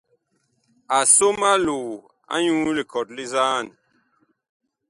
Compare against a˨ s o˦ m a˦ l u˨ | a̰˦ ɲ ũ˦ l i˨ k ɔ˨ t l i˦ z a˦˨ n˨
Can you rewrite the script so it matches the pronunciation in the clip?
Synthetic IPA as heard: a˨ s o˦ m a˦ l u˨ | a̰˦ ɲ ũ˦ l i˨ k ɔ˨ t l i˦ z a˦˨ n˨